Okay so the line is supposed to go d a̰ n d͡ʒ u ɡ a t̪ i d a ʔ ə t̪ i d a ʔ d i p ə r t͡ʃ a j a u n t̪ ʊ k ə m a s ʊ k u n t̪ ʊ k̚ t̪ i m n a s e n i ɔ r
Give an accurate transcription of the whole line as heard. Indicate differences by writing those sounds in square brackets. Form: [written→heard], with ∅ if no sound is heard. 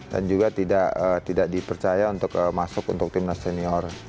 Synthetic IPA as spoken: d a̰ n d͡ʒ u ɡ a t̪ i d a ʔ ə t̪ i d a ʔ d i p ə r t͡ʃ a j a u n t̪ ʊ k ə m a s ʊ k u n t̪ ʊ k̚ t̪ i m n a s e n i ɔ r